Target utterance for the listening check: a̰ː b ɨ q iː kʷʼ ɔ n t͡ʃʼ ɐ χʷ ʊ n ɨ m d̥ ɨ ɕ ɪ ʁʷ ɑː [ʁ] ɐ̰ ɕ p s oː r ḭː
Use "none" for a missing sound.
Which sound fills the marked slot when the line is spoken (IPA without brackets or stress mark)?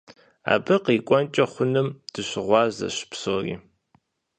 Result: z